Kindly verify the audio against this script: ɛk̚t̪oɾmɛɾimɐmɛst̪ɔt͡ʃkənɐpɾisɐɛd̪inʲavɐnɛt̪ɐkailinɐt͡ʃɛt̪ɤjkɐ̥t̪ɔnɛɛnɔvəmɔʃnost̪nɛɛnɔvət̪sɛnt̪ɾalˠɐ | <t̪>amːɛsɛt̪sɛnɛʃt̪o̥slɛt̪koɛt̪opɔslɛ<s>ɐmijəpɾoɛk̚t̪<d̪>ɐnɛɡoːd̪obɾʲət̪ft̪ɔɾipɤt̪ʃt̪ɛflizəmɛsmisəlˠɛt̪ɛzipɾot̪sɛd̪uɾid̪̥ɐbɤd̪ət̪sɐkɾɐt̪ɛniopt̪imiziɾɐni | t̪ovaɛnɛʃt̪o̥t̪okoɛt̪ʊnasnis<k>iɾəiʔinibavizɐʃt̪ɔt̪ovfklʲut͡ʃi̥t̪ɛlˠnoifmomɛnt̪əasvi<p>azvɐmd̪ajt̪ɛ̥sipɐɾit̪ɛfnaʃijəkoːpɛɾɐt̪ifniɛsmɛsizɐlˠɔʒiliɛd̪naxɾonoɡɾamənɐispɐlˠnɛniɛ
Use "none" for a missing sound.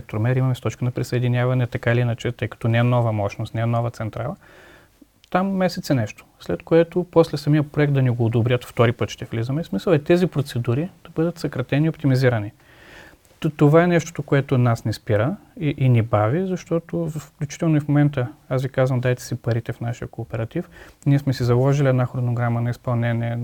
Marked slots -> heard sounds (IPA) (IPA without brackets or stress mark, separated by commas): t̪, s, d̪, p, k